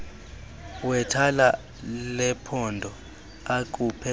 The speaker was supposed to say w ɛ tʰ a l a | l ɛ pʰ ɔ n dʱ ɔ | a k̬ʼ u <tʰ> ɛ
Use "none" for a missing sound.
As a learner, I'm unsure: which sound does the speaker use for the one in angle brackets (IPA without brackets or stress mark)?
pʰ